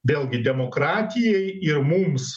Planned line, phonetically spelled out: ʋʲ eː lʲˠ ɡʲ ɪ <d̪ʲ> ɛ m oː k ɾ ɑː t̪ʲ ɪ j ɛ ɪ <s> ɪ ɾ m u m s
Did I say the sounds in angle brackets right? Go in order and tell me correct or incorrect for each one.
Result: correct, incorrect

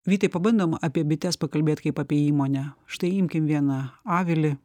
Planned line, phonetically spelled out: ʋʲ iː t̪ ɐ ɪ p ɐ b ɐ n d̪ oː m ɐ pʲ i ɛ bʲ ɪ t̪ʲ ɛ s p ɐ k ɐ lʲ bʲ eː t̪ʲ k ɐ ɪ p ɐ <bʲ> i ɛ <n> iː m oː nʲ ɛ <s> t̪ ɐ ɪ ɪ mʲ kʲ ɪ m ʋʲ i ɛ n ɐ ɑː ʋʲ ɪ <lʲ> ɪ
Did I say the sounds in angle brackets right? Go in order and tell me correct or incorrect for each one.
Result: incorrect, incorrect, incorrect, correct

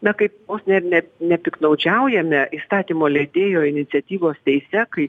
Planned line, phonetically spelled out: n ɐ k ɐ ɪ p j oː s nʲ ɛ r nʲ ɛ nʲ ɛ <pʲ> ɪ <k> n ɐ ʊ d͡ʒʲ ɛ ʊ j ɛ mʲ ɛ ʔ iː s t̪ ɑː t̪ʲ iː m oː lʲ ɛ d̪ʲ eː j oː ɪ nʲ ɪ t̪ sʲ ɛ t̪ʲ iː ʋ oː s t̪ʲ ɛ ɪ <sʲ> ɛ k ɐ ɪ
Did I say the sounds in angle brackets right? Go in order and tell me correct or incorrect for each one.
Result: correct, correct, correct

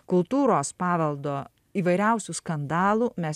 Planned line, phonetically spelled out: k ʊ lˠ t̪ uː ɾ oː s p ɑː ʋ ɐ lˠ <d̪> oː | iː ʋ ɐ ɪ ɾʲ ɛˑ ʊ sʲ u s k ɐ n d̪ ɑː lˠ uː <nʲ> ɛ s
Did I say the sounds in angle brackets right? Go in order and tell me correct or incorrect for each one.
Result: correct, incorrect

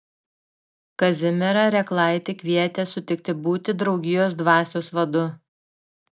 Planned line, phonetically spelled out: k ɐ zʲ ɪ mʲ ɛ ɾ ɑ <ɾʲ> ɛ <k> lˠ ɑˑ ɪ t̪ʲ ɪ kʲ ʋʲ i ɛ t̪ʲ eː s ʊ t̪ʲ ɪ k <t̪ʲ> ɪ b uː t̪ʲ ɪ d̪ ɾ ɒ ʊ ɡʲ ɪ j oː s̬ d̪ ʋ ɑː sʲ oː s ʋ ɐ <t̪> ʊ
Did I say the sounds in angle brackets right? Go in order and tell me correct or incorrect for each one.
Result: correct, correct, correct, incorrect

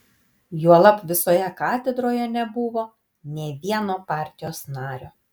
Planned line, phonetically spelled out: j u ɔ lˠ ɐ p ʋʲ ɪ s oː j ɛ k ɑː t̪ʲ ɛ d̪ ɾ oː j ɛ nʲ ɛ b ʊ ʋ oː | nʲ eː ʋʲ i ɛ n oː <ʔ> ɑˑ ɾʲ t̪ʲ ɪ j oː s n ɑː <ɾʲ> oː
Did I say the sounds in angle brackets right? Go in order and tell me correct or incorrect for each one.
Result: incorrect, correct

